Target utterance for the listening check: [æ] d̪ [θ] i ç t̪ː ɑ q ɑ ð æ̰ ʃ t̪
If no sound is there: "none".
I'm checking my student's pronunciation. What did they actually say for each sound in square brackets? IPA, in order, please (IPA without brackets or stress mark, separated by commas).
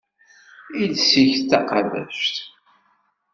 i, s